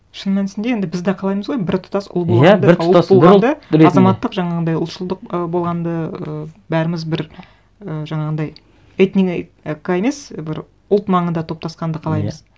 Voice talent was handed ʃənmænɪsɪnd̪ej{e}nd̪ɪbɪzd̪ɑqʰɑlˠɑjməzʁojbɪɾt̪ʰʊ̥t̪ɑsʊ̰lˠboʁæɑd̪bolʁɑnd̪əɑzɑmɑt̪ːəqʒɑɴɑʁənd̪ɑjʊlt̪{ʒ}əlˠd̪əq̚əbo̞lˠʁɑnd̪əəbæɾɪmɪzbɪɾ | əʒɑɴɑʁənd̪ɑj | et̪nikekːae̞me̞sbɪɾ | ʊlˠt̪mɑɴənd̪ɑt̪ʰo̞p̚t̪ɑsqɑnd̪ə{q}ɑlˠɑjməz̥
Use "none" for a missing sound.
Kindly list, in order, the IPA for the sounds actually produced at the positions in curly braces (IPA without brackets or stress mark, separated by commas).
e, ʃ, qʰ